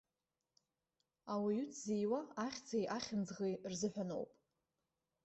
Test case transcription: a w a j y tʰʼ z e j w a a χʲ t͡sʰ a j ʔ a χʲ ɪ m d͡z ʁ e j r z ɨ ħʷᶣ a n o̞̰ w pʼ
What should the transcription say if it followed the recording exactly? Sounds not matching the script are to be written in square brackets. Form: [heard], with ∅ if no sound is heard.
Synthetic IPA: a w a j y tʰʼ z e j w a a χʲ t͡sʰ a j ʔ a χʲ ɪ [n] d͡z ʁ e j r z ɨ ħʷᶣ a n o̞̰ w pʼ